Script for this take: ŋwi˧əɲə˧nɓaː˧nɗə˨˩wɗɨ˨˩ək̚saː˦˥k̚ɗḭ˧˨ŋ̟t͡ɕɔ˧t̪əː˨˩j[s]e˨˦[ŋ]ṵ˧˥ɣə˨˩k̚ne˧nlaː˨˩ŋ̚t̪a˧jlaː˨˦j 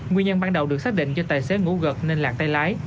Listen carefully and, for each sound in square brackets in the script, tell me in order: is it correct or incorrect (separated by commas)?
correct, correct